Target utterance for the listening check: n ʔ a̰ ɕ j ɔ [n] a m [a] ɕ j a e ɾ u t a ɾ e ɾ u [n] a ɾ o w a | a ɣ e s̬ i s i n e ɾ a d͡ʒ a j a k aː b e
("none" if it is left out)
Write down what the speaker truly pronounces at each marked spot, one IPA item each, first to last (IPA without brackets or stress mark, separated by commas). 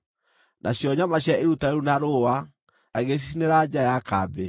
ɲ, a, n